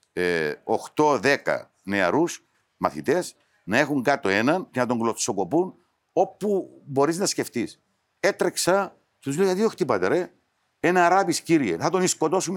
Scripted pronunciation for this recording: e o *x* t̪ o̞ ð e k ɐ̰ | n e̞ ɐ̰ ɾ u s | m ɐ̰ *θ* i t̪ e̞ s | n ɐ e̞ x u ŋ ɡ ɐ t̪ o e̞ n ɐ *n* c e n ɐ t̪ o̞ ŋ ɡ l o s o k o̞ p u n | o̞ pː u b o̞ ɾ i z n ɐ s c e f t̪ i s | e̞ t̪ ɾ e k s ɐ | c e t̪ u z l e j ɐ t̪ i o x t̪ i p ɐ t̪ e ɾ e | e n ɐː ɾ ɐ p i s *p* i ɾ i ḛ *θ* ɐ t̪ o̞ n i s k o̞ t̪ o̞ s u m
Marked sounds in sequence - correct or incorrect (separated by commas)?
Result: correct, correct, correct, incorrect, correct